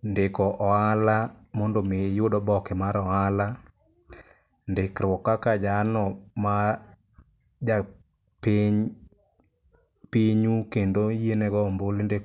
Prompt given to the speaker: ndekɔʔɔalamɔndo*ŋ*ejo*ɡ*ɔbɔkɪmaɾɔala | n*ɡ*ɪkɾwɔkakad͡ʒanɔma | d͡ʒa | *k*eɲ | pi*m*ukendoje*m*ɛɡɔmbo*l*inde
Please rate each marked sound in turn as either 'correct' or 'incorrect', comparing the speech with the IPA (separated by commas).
incorrect, incorrect, incorrect, incorrect, incorrect, incorrect, correct